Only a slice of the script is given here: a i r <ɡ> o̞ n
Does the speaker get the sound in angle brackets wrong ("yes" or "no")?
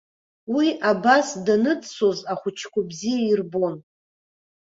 yes